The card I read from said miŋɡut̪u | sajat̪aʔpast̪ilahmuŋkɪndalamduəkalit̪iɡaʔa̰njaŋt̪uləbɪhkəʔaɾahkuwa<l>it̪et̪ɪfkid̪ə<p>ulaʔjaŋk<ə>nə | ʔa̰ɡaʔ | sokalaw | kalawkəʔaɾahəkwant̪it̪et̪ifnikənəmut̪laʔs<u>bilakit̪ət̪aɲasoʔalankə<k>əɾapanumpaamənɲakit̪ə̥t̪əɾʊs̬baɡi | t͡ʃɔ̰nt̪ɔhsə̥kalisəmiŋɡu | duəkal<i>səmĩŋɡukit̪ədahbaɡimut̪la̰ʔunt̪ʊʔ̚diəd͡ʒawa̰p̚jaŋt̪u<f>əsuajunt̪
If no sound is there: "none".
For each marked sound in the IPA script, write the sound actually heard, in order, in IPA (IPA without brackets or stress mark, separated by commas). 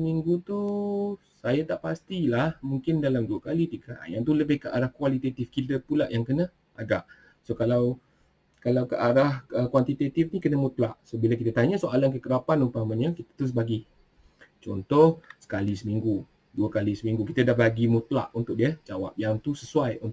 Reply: l, p, ə, o, k, i, s